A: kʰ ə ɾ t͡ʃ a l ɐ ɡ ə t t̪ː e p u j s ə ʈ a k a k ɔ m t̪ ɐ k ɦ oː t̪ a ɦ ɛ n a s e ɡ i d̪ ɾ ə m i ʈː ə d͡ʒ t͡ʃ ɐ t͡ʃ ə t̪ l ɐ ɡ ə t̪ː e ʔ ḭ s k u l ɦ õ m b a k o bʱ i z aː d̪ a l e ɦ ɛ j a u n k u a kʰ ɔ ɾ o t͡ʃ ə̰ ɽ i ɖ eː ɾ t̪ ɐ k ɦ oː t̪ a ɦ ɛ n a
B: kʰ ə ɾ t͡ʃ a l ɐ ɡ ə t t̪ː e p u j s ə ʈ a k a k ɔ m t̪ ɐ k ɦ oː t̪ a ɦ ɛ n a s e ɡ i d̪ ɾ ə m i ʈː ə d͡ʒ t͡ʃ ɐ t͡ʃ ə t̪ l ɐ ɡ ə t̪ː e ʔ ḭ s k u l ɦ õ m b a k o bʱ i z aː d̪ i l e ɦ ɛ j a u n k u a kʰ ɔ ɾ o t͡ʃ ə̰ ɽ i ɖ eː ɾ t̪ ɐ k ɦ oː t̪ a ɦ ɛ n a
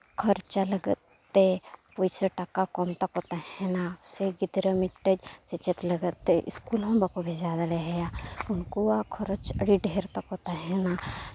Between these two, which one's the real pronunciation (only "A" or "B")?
A